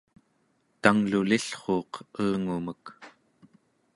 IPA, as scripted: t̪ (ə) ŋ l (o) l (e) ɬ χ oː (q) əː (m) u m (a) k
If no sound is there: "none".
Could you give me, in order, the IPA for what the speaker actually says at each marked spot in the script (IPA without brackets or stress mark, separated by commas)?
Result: a, u, i, q, ŋ, ə